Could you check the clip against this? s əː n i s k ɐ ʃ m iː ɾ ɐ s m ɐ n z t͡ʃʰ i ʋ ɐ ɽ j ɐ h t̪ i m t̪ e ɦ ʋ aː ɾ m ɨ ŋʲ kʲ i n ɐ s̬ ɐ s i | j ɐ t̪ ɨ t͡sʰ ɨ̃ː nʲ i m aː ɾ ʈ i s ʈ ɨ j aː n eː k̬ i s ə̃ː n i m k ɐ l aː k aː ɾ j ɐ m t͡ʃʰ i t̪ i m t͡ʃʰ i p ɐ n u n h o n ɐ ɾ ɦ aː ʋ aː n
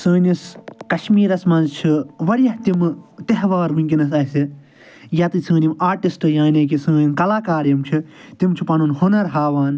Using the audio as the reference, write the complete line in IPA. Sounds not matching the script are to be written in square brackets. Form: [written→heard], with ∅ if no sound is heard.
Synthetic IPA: s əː n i s k ɐ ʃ m iː ɾ ɐ s m ɐ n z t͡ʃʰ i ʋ ɐ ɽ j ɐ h t̪ i m t̪ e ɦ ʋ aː ɾ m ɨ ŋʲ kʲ i n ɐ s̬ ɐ s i | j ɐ t̪ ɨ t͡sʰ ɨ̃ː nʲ i m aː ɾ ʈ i s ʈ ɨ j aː n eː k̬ i s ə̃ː n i m k ɐ l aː k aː ɾ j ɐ m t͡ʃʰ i t̪ i m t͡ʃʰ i p ɐ n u n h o n ɐ ɾ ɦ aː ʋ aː n